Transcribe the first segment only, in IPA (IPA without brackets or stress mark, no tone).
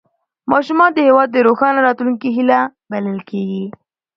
m